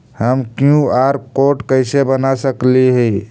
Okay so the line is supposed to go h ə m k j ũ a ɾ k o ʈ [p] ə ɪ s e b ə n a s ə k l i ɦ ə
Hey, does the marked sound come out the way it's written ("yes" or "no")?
no